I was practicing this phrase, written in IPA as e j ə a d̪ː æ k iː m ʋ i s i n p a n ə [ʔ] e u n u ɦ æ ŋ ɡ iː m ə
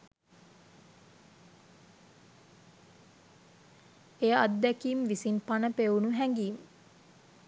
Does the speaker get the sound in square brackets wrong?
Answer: yes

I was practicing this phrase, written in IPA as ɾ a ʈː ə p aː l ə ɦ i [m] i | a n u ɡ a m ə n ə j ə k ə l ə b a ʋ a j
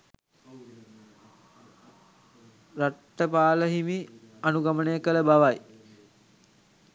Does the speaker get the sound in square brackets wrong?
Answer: no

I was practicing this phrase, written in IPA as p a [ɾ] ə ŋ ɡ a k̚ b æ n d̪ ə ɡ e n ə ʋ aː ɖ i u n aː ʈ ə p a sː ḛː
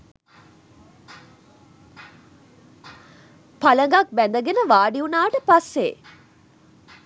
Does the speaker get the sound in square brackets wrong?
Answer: yes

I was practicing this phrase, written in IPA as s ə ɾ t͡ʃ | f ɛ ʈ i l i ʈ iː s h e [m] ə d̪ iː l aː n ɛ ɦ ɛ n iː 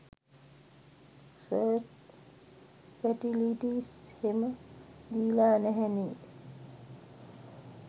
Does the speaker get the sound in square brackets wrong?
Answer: no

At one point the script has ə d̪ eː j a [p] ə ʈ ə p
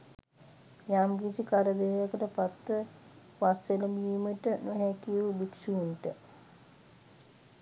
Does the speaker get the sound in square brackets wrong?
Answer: yes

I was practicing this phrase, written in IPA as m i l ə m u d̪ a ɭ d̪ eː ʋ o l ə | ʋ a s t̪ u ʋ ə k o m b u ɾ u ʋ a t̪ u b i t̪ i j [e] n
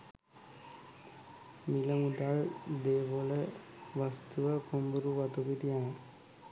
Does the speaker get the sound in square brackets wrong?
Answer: yes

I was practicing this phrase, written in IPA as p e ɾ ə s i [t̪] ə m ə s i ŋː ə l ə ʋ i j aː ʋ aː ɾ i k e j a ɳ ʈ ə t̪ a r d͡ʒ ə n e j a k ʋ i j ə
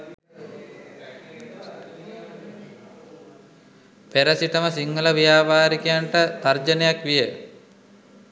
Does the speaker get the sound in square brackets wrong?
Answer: no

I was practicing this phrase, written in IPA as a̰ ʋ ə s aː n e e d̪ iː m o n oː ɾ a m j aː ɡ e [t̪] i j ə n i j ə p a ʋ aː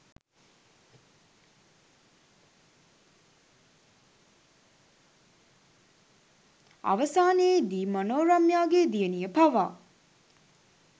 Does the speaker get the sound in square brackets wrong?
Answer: yes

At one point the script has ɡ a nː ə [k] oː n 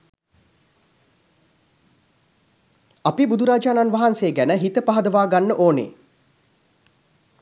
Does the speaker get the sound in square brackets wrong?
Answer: yes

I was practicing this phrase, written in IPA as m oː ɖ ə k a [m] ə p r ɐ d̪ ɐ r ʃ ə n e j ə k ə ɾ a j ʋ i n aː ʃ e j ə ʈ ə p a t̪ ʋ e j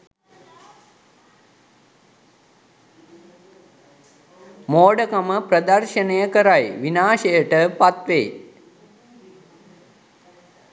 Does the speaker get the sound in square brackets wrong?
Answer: no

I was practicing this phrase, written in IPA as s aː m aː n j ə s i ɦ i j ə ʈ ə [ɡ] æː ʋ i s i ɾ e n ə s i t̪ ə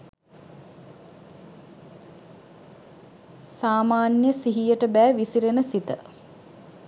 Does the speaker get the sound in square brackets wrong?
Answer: yes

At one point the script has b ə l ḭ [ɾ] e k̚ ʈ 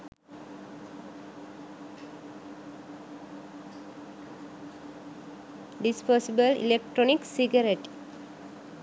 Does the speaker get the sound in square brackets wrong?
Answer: yes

